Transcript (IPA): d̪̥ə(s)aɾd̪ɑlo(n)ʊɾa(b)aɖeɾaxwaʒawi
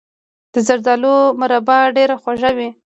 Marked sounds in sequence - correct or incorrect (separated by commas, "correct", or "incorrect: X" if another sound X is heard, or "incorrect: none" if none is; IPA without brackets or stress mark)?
incorrect: z, incorrect: m, correct